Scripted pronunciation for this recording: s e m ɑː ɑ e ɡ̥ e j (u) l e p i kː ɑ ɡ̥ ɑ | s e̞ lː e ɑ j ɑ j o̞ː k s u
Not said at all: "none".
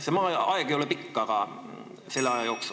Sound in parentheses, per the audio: o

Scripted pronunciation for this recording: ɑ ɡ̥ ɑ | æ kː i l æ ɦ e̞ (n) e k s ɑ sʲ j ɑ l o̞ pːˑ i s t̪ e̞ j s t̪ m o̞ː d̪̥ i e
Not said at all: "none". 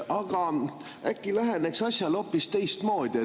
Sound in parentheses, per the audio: n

